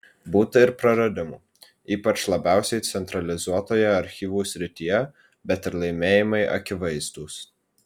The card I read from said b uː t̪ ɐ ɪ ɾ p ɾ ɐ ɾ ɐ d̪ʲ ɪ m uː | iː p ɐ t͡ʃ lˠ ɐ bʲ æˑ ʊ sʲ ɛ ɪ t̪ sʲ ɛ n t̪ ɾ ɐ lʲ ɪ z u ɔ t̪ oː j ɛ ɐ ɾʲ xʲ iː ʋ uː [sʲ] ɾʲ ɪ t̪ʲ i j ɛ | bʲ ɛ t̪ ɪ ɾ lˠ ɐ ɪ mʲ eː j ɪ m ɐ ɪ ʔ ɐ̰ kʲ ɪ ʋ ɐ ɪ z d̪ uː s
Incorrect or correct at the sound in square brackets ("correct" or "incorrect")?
correct